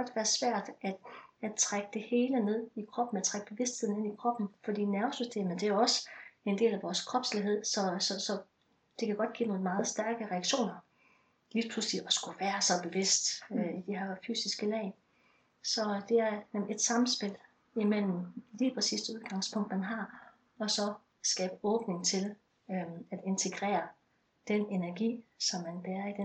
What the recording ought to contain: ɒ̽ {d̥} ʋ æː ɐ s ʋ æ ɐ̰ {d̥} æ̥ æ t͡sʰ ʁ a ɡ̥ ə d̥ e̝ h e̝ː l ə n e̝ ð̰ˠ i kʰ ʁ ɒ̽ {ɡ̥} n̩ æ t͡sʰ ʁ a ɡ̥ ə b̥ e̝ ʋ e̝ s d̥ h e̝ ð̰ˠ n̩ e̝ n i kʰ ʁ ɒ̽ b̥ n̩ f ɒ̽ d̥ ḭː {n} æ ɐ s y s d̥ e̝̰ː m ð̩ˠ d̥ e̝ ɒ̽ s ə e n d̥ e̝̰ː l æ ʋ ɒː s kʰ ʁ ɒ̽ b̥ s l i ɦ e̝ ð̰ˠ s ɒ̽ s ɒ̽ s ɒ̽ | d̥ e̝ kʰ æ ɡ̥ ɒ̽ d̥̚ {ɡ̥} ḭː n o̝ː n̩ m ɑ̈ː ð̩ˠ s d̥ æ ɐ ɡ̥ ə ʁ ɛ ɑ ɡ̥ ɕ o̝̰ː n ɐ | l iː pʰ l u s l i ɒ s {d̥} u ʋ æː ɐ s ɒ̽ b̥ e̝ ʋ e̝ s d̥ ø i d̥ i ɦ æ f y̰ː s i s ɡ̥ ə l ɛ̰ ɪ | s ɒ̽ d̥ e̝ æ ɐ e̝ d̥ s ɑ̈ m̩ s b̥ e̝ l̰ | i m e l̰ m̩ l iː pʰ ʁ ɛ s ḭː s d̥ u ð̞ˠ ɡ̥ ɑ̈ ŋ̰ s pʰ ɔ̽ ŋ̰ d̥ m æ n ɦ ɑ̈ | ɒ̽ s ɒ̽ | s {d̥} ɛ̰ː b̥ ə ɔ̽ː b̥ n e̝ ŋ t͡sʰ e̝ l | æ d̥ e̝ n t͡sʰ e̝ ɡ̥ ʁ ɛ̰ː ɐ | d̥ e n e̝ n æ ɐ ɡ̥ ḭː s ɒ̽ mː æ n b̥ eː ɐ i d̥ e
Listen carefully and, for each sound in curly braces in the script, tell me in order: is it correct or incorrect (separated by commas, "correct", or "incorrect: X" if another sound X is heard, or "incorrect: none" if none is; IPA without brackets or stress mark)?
correct, correct, incorrect: b̥, correct, correct, incorrect: ɡ̥, incorrect: ɡ̥